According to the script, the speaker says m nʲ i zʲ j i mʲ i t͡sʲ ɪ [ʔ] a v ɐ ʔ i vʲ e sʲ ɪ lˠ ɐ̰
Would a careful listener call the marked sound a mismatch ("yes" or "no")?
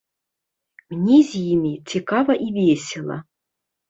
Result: yes